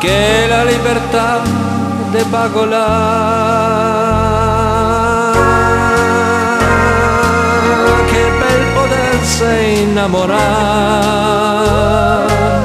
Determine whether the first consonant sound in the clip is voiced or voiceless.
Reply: voiceless